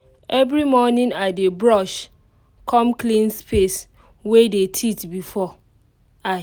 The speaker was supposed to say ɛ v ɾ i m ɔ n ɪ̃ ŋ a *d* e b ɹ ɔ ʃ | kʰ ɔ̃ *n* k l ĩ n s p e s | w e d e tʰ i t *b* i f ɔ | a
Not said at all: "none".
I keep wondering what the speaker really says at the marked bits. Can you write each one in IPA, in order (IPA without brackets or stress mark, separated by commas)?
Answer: d, m, b